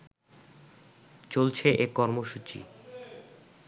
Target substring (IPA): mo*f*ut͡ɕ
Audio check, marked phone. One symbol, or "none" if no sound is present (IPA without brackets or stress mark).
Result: ʃ